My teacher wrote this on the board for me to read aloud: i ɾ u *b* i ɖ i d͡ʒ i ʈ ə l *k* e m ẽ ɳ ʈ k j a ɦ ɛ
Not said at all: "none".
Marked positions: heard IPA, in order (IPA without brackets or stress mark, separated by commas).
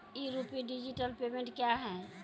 p, p